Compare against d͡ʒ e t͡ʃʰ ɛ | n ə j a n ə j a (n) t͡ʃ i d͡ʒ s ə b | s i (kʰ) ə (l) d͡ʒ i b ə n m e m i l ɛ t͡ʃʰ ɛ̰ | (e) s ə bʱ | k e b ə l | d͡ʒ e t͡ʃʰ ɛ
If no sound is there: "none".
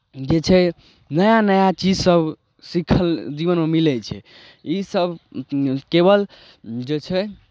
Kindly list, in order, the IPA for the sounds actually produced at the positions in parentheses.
none, kʰ, l, i

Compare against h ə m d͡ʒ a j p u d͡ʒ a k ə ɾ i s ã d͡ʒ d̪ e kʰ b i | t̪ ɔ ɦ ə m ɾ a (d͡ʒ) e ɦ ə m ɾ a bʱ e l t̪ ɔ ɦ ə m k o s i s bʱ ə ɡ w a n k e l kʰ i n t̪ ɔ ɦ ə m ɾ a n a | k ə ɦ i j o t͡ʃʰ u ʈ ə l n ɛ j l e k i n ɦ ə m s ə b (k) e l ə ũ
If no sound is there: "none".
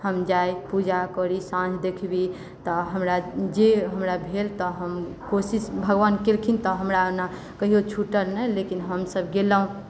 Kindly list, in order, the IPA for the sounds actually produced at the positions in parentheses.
d͡ʒ, ɡ

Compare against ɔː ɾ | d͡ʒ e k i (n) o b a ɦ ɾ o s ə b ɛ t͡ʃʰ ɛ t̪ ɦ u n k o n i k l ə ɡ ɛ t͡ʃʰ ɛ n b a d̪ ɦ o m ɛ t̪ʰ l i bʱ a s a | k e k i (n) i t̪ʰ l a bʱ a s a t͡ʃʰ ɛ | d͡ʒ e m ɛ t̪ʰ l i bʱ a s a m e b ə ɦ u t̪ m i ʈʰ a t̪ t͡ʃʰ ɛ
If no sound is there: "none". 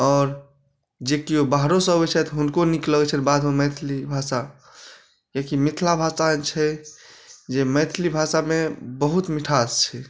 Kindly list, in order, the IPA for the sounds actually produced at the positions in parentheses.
none, m

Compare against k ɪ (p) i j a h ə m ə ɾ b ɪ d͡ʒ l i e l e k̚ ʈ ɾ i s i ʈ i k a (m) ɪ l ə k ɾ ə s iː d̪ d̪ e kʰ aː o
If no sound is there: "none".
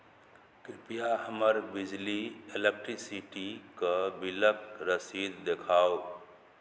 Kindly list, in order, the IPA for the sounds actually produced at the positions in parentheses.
p, b

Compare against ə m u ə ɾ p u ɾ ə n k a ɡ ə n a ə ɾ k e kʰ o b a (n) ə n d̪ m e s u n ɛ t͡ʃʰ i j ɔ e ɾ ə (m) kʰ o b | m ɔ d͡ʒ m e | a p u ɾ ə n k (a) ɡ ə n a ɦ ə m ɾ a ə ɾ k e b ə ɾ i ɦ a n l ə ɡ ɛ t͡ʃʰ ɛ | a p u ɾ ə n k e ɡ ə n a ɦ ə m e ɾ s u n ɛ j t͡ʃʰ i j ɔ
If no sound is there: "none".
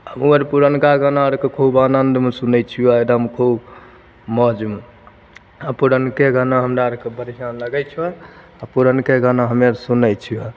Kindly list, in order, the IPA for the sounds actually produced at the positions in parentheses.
n, m, e

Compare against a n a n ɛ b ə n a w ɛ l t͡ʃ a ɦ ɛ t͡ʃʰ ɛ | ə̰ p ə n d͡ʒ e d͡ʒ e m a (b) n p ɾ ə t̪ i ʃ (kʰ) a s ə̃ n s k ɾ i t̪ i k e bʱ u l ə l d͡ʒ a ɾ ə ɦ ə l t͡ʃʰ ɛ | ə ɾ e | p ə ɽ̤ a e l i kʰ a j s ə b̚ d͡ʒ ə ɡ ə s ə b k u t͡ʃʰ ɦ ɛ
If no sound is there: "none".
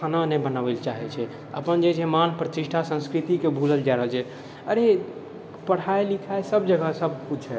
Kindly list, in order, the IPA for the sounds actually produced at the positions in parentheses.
none, ʈʰ

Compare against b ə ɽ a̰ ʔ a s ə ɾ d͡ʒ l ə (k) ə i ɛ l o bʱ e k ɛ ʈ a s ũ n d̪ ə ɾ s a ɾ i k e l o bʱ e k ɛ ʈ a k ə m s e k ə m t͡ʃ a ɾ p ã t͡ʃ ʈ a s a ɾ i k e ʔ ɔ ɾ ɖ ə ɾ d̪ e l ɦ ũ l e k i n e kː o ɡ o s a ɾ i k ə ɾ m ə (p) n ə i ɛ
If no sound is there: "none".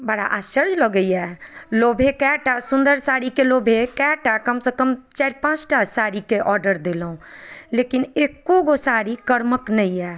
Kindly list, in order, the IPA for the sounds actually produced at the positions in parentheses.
ɡ, k

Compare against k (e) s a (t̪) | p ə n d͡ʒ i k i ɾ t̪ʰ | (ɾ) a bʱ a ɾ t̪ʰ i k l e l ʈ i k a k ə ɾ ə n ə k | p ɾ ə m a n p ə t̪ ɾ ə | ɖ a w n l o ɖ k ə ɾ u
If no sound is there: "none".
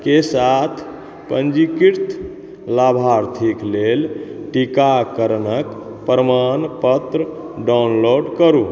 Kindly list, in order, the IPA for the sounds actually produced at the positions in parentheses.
e, t̪ʰ, l

